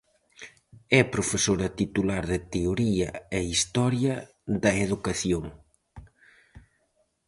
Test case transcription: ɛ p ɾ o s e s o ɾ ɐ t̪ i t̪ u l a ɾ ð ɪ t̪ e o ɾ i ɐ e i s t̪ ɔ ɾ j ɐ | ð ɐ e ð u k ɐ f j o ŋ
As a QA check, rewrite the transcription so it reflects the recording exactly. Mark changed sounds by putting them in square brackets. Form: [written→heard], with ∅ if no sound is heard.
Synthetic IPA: ɛ p ɾ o [s→f] e s o ɾ ɐ t̪ i t̪ u l a ɾ ð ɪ t̪ e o ɾ i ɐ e i s t̪ ɔ ɾ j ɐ | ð ɐ e ð u k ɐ [f→θ] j o ŋ